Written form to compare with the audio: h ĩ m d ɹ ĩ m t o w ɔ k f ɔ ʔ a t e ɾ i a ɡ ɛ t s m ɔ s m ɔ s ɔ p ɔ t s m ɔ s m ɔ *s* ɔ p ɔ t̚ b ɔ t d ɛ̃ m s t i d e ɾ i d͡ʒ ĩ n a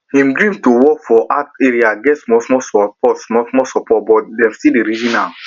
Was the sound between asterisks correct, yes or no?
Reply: yes